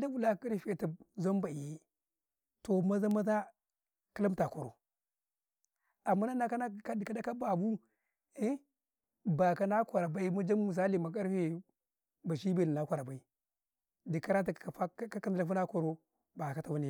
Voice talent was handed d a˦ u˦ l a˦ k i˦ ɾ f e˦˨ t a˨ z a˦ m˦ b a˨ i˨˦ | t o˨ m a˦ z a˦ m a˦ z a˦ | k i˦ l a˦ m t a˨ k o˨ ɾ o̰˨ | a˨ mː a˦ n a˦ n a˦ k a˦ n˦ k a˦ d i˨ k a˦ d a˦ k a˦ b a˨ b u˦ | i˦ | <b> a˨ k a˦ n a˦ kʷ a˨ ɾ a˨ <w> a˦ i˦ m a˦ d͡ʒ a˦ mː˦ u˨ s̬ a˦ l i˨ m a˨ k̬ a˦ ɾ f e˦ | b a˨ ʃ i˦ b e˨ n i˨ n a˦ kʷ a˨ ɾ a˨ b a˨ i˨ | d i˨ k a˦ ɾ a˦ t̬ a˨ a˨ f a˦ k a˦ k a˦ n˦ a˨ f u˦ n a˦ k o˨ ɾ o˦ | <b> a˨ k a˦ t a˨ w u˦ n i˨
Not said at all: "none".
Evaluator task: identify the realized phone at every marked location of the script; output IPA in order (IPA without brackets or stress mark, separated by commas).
b, b, b